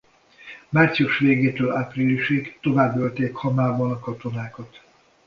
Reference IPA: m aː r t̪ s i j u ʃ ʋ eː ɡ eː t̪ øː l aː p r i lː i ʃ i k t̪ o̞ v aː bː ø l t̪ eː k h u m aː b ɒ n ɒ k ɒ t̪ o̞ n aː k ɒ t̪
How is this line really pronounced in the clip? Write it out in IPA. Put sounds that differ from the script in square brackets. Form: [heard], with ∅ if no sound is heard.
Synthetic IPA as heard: m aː r t̪ s i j u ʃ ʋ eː ɡ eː t̪ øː l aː p r i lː i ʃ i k t̪ o̞ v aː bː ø l t̪ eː k h [ɒ] m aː b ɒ n ɒ k ɒ t̪ o̞ n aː k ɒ t̪

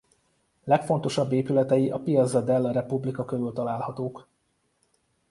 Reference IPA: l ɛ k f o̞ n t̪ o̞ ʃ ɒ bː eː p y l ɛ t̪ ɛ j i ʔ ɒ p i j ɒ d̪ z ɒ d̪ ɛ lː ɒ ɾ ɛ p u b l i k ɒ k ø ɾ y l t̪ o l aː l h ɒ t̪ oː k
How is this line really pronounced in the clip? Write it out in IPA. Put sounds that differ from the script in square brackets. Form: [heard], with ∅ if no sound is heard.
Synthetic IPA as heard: l ɛ k f o̞ n t̪ o̞ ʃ ɒ bː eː p y l ɛ t̪ ɛ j i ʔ ɒ p i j ɒ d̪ z ɒ d̪ ɛ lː ɒ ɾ ɛ p u b l i k ɒ k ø ɾ y l t̪ [ɒ] l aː l h ɒ t̪ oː k

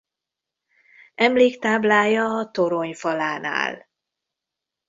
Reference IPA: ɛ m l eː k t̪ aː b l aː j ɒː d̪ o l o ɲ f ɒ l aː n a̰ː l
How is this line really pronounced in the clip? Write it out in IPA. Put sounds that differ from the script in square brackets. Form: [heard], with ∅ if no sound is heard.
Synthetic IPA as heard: ɛ m l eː k t̪ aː b l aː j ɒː [t̪] o [ɾ] o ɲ f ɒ l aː n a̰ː l

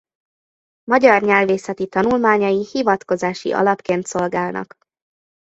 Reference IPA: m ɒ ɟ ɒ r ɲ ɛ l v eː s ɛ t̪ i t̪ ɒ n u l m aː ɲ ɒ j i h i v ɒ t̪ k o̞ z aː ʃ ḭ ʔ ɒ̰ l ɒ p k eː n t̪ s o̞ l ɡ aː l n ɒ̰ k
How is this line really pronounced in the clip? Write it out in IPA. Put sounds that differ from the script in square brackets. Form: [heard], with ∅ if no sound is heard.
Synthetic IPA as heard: m ɒ ɟ ɒ r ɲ ɛ l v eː s ɛ t̪ i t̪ ɒ n u l m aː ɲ ɒ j i h i v ɒ t̪ k o̞ z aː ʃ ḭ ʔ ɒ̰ l ɒ p k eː n t̪ s o̞ l ɡ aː l n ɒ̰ k

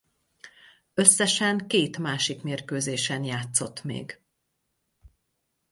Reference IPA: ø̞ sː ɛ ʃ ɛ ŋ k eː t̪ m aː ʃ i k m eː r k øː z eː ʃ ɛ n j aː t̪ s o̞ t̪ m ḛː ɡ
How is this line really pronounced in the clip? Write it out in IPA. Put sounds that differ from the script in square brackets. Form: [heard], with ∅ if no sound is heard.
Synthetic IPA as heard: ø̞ sː ɛ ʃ ɛ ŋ k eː t̪ m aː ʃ i k m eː r k øː z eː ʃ ɛ n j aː t̪ s o̞ t̪ m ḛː ɡ

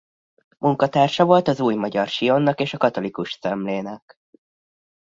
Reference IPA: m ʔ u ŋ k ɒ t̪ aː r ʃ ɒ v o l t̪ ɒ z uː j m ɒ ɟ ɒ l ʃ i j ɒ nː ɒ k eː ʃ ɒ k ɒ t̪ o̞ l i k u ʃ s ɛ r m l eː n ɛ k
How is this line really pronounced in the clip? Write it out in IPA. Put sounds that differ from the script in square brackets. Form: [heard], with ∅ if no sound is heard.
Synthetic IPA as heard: m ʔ u ŋ k ɒ t̪ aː r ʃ ɒ v o l t̪ ɒ z uː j m ɒ ɟ ɒ [r] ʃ i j [o] nː ɒ k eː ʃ ɒ k ɒ t̪ o̞ l i k u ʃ s ɛ [∅] m l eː n ɛ k

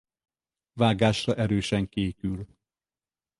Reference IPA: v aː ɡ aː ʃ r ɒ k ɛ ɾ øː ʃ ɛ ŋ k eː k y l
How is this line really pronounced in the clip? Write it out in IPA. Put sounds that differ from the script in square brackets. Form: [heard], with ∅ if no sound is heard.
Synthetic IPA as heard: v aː ɡ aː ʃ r ɒ [ʔ] ɛ ɾ øː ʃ ɛ ŋ k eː k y l

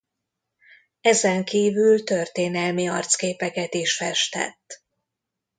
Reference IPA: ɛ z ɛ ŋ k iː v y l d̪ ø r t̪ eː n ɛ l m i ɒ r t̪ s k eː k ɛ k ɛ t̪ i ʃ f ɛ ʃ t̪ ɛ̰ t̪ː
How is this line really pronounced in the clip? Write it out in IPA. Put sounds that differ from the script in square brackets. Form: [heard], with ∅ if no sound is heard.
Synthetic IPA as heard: ɛ z ɛ ŋ k iː v y l [t̪] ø r t̪ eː n ɛ l m i ɒ r t̪ s k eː [p] ɛ k ɛ t̪ i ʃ f ɛ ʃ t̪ ɛ̰ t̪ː

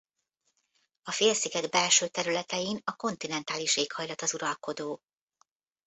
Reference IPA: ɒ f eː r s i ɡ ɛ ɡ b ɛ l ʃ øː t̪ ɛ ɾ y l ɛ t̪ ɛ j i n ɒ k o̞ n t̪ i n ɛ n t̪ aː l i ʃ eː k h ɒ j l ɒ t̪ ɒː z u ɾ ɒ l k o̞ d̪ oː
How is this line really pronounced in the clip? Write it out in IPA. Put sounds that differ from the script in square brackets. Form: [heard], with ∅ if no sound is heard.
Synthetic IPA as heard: ɒ f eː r s i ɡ ɛ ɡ b ɛ l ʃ øː t̪ ɛ ɾ y l ɛ t̪ ɛ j i n ɒ k o̞ n t̪ i n ɛ n t̪ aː l i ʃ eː k h ɒ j l ɒ t̪ [ɒ] z u ɾ ɒ l k o̞ d̪ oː

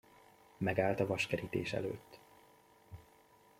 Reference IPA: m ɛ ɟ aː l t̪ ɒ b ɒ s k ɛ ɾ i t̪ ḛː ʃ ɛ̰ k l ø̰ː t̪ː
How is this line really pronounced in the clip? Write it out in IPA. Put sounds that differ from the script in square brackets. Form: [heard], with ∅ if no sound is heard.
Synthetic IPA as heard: m ɛ [ɡ] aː l t̪ ɒ [v] ɒ [ʃ] k ɛ ɾ i t̪ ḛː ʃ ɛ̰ [∅] l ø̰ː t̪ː

